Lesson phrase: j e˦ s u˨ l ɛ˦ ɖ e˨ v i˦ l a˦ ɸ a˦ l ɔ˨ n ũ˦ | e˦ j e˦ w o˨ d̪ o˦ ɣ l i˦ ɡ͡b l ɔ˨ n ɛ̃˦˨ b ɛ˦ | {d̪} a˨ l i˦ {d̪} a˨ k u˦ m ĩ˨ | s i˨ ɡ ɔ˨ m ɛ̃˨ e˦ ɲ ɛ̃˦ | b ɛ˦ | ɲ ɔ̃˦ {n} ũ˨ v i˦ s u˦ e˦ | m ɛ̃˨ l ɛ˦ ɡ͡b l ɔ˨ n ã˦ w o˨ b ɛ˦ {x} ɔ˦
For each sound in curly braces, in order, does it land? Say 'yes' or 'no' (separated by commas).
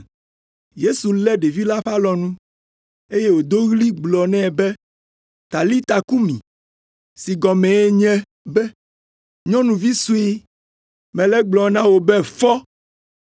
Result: no, no, yes, no